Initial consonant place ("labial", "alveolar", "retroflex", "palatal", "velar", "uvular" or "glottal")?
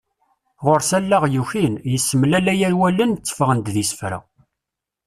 uvular